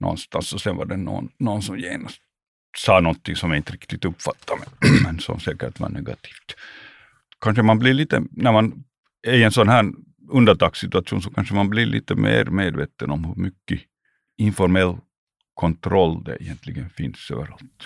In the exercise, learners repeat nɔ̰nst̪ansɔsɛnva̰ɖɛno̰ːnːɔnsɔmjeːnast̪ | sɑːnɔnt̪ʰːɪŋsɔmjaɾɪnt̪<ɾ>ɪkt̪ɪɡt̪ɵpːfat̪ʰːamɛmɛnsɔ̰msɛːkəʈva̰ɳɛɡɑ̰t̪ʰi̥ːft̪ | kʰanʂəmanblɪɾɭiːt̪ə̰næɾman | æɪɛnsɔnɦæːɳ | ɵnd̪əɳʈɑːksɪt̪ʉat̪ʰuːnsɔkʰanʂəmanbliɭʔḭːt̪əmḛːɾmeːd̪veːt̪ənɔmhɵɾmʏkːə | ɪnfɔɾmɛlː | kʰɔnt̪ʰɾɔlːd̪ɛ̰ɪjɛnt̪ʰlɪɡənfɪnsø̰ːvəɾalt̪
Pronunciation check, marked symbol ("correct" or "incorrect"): correct